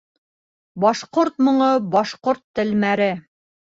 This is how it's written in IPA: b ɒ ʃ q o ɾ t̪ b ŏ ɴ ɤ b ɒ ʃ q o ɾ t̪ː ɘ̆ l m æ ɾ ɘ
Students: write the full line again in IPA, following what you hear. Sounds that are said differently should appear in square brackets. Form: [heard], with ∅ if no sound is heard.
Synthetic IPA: b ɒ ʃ q o ɾ t̪ [m] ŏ ɴ ɤ b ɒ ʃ q o ɾ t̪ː ɘ̆ l m æ ɾ ɘ